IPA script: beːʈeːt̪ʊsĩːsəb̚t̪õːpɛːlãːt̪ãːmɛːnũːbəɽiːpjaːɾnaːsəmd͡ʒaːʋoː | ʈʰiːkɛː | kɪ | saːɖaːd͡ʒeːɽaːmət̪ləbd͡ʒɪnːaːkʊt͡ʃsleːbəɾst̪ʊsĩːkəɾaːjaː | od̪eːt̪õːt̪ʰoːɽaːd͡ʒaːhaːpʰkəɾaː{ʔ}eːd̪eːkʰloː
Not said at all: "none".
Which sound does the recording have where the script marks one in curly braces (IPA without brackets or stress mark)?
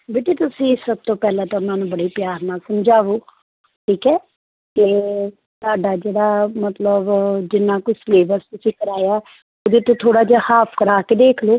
k